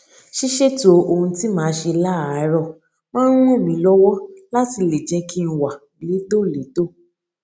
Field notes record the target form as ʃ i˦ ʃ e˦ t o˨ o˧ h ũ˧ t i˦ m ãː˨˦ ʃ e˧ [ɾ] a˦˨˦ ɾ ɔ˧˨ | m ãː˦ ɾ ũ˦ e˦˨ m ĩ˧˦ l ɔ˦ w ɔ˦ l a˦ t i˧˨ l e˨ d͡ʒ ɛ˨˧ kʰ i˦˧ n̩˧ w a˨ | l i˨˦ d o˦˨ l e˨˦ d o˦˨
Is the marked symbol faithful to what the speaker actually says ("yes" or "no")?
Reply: no